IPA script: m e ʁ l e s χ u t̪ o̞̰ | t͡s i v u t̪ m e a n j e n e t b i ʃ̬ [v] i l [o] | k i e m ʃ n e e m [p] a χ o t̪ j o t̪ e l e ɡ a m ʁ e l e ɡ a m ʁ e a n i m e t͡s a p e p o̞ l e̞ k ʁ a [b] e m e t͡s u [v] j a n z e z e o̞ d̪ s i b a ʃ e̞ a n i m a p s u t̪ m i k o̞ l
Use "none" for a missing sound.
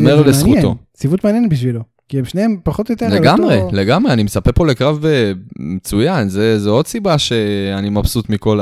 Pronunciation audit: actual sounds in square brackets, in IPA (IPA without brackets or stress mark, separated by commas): v, o, p, v, none